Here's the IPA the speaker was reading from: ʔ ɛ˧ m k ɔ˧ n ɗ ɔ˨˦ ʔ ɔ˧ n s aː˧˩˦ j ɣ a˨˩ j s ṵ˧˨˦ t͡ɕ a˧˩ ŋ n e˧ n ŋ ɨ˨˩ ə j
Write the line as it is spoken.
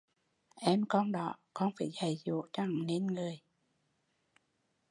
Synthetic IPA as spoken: ʔ ɛ˧ m k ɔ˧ n ɗ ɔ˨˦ k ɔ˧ n f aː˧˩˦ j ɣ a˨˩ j z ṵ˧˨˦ t͡ɕ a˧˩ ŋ n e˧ n ŋ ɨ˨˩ ə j